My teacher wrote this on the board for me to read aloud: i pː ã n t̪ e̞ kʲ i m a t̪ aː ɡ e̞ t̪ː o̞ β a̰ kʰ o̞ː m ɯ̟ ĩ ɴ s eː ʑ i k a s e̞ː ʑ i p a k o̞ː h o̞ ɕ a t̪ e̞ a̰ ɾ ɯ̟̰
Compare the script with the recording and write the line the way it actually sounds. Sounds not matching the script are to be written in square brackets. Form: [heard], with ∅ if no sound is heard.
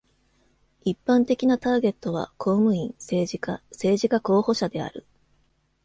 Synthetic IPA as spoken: i pː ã n t̪ e̞ kʲ i [n] a t̪ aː ɡ e̞ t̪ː o̞ β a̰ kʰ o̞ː m ɯ̟ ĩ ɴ s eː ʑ i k a s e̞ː ʑ i [k] a k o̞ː h o̞ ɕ a [d̪] e̞ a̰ ɾ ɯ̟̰

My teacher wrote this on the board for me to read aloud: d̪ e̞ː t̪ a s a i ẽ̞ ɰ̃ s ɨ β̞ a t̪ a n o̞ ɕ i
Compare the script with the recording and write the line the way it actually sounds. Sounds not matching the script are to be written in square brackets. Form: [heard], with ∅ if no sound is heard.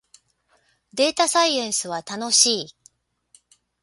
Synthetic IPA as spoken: d̪ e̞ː t̪ a s a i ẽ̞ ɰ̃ s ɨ β̞ a t̪ a n o̞ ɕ [iː]

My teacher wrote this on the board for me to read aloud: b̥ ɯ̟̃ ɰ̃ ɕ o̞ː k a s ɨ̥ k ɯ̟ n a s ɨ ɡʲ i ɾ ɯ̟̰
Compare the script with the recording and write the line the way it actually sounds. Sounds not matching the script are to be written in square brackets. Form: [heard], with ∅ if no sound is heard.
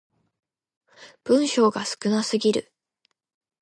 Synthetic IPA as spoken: b̥ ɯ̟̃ ɰ̃ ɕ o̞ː [ɡ] a s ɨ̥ k ɯ̟ n a s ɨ ɡʲ i ɾ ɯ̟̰

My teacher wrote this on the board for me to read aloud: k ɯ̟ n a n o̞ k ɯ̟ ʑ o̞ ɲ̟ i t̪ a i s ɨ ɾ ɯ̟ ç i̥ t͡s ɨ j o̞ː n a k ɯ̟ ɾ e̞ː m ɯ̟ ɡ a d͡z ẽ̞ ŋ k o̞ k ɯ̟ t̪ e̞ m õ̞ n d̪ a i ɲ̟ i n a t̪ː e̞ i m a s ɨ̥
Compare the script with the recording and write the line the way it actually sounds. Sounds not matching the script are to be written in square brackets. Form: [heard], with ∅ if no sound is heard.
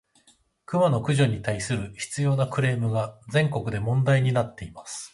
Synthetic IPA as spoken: k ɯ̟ [m] a n o̞ k ɯ̟ ʑ o̞ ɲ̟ i t̪ a i s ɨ ɾ ɯ̟ ç i̥ t͡s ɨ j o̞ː n a k ɯ̟ ɾ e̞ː m ɯ̟ ɡ a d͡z ẽ̞ ŋ k o̞ k ɯ̟ [d̪] e̞ m õ̞ n d̪ a i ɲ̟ i n a t̪ː e̞ i m a s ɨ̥

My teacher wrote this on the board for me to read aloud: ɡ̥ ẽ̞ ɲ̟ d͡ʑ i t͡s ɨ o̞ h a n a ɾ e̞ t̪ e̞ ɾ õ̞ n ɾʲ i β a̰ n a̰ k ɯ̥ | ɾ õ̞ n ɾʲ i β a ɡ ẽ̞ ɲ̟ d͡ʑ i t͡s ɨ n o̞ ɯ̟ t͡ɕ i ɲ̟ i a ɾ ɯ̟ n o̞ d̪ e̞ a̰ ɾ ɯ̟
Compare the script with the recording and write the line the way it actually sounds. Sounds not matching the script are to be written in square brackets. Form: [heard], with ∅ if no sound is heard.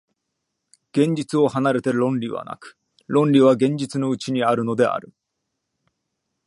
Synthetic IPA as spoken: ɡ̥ ẽ̞ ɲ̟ d͡ʑ i t͡s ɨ o̞ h a n a ɾ e̞ t̪ e̞ ɾ õ̞ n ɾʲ i β a̰ n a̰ k ɯ̥ | ɾ õ̞ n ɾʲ i β a ɡ ẽ̞ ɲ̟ d͡ʑ i t͡s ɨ n o̞ ɯ̟ t͡ɕ i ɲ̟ i a ɾ ɯ̟ n o̞ d̪ e̞ a̰ ɾ ɯ̟

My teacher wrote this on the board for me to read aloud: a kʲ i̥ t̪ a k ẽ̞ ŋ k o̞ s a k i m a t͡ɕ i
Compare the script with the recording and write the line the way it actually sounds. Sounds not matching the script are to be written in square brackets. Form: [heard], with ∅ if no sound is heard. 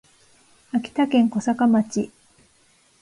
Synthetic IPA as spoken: a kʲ i̥ t̪ a k ẽ̞ ŋ k o̞ s a k [a] m a t͡ɕ i

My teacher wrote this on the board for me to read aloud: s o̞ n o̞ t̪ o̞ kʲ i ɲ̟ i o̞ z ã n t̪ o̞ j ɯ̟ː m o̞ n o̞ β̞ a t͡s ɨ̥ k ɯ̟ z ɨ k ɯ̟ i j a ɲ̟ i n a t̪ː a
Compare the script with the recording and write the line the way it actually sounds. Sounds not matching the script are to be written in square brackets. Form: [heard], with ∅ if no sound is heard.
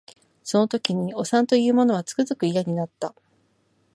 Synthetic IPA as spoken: s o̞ n o̞ t̪ o̞ kʲ i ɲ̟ i o̞ [s] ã n t̪ o̞ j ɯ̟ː m o̞ n o̞ β̞ a t͡s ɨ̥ k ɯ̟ z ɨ k ɯ̟ i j a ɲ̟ i n a t̪ː a

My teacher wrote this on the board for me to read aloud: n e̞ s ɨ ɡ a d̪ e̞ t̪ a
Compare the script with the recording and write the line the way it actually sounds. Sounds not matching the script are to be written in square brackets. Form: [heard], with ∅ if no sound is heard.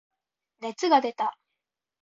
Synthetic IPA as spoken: n e̞ [t͡s] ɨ ɡ a d̪ e̞ t̪ a

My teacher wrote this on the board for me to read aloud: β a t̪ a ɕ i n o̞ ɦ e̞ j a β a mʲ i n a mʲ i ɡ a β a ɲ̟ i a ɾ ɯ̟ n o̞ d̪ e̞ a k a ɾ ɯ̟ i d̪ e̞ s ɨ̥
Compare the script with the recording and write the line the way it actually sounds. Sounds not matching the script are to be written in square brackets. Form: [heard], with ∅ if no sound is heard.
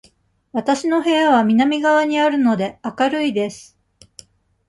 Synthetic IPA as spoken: β a t̪ a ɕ i n o̞ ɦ e̞ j a β a mʲ i n a mʲ i ɡ a β a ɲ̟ i a ɾ ɯ̟ n o̞ d̪ e̞ a k a ɾ ɯ̟ i d̪ e̞ s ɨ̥

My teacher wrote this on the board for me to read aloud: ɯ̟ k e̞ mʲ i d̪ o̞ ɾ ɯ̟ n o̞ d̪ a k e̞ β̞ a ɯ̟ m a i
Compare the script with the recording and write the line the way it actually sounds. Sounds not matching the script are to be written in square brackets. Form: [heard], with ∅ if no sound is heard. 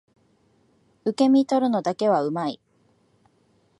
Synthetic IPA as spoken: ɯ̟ k e̞ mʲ i [t̪] o̞ ɾ ɯ̟ n o̞ d̪ a k e̞ β̞ a ɯ̟ m a i

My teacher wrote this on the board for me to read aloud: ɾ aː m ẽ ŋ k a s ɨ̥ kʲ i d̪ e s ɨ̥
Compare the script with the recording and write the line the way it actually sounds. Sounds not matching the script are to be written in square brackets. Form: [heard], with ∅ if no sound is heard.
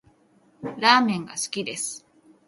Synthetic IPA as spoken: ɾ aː m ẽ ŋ [ɡ] a s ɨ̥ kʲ i d̪ e s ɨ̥

